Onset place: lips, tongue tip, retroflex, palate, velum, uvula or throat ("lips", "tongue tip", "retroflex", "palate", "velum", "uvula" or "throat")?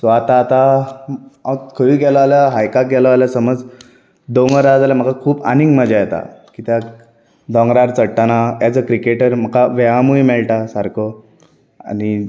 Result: tongue tip